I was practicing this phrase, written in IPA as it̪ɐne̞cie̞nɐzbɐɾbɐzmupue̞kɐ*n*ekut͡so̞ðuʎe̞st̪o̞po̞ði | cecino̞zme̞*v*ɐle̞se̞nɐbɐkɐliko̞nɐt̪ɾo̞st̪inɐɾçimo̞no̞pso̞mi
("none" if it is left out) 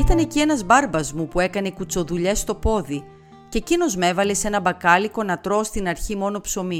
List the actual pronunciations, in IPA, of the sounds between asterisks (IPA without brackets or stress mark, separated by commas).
n, v